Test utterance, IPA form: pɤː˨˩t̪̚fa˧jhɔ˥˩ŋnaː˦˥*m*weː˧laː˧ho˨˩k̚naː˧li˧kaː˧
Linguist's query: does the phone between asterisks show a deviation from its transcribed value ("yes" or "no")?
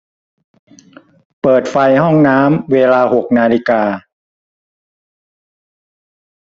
no